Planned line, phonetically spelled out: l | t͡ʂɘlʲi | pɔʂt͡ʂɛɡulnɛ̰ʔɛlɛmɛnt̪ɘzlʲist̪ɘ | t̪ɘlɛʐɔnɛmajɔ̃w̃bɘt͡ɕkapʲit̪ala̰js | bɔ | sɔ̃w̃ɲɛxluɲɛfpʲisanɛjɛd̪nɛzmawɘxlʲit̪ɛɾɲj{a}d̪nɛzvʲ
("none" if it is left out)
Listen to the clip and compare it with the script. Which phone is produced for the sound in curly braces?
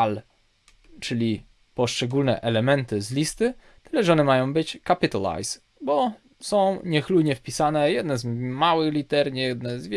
ɛ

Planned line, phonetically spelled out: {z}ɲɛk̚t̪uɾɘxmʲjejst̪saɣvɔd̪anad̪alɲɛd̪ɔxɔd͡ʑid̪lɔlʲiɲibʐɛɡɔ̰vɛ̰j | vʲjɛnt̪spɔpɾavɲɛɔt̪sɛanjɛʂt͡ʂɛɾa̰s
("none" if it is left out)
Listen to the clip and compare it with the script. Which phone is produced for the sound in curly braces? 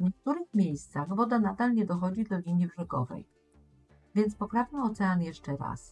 v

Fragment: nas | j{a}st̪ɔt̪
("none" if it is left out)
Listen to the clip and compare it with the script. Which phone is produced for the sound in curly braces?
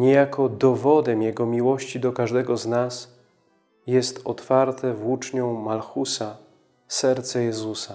ɛ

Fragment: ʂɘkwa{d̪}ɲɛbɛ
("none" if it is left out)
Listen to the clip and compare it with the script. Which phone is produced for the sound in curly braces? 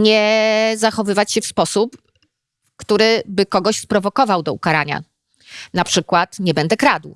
t̪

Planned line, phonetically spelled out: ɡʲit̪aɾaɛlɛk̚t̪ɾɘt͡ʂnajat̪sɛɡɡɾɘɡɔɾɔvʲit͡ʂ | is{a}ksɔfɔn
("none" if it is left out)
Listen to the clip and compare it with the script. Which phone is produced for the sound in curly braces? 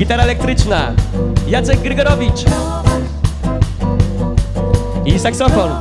a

